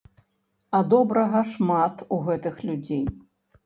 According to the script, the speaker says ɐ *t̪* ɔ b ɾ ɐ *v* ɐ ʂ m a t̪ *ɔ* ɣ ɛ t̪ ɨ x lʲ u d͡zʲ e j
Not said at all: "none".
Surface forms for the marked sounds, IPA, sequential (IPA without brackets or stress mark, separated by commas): d̪, ɣ, u